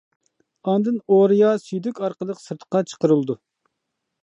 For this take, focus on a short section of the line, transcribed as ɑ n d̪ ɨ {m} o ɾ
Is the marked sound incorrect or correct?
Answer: incorrect: n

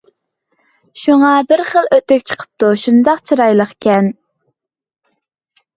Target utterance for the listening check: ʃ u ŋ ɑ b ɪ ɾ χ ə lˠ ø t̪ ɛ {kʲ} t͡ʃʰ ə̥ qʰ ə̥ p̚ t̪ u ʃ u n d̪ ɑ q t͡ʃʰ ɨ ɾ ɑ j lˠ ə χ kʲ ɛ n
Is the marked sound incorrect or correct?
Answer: correct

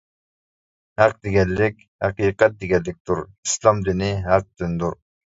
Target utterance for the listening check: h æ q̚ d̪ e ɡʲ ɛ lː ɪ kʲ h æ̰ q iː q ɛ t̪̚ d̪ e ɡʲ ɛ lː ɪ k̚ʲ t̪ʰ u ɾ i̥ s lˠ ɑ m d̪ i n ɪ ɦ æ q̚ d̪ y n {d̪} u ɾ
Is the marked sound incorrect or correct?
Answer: correct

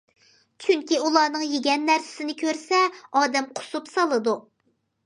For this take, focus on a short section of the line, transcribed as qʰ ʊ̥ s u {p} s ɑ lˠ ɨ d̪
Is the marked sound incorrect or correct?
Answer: correct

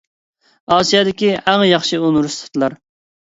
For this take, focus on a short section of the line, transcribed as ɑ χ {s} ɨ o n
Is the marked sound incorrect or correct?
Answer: incorrect: ʃ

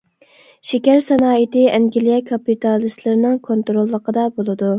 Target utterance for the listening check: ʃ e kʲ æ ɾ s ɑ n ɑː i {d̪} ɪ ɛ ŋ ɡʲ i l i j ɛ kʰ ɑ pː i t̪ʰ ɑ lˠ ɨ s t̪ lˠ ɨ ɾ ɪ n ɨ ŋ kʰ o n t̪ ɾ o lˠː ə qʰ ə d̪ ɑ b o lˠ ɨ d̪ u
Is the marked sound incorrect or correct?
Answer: incorrect: t̪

